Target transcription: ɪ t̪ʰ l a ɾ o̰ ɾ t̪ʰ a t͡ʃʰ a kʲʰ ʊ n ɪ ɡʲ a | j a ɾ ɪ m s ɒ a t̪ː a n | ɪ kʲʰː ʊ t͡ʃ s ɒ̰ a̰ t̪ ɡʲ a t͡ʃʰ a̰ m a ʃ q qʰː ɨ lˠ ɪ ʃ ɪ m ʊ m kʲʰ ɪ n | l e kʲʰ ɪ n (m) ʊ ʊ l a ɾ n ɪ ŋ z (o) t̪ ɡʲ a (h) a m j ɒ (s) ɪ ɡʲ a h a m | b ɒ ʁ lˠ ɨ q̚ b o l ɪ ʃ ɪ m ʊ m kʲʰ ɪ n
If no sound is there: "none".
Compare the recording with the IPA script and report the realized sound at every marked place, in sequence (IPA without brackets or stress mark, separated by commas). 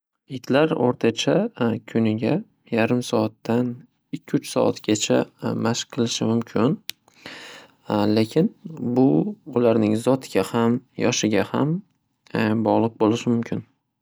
b, ɒ, h, ʃ